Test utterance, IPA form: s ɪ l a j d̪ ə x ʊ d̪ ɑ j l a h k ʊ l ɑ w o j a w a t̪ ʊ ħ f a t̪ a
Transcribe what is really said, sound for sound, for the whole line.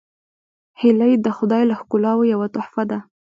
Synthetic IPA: h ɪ l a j d̪ ə x ʊ d̪ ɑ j l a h k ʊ l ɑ w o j a w a t̪ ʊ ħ f a d̪ a